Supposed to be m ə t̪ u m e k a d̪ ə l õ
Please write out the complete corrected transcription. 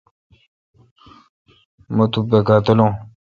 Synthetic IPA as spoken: m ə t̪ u b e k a t̪ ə l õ